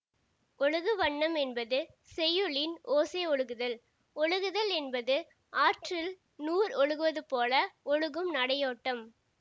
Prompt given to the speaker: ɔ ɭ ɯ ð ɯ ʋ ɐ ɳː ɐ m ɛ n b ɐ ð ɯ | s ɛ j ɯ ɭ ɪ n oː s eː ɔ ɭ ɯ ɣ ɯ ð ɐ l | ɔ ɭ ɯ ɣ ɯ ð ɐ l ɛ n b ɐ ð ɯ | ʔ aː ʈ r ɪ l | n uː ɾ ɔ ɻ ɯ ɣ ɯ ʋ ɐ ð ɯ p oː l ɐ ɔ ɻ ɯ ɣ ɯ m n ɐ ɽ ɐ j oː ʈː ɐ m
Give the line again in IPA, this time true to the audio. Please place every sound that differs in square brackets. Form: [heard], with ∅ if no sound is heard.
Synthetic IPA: ɔ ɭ ɯ [ɣ] ɯ ʋ ɐ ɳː ɐ m ɛ n b ɐ ð ɯ | s ɛ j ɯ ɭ ɪ n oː s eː ɔ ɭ ɯ ɣ ɯ ð ɐ l | ɔ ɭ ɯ ɣ ɯ ð ɐ l ɛ n b ɐ ð ɯ | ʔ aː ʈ r ɪ l | n uː ɾ ɔ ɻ ɯ ɣ ɯ ʋ ɐ ð ɯ p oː l ɐ ɔ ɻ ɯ ɣ ɯ m n ɐ ɽ ɐ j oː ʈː ɐ m